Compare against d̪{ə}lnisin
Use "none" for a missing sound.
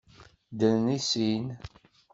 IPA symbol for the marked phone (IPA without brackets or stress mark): ə